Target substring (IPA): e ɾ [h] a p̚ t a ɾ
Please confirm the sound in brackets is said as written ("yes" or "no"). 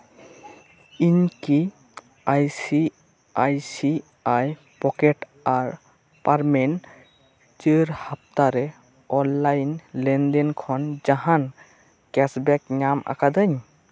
yes